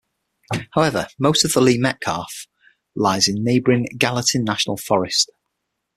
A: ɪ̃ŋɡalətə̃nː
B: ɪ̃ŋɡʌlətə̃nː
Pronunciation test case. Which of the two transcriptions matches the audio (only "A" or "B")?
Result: A